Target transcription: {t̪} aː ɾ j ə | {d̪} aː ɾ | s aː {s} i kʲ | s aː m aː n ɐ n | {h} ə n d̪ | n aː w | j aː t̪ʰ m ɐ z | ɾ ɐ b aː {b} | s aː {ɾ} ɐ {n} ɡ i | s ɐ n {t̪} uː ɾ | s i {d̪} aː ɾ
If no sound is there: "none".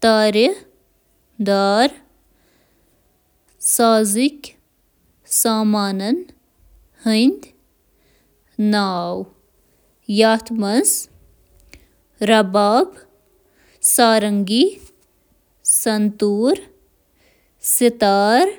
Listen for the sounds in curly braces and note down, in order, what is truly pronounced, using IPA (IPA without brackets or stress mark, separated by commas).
t̪, d̪, z, h, b, ɾ, ŋ, t̪, t̪